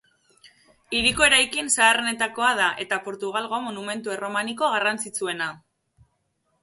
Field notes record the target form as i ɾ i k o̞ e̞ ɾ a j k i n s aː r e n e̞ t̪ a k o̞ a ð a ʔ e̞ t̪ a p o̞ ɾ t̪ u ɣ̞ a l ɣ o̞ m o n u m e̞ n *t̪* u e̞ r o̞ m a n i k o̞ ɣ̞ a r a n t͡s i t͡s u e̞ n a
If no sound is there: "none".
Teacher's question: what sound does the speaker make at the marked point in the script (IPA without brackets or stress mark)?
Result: t̪